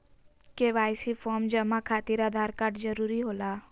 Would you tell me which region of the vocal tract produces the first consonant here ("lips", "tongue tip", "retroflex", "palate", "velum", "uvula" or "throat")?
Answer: velum